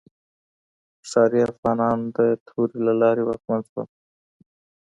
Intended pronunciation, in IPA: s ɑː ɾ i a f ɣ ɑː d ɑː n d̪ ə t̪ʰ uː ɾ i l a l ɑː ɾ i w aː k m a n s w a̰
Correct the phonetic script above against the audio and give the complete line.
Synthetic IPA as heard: s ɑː ɾ i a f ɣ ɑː n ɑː n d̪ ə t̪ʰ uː ɾ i l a l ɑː ɾ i w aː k m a n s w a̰